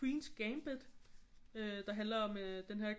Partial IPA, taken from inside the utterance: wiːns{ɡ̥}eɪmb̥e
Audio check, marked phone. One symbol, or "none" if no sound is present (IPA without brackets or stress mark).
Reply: ɡ̥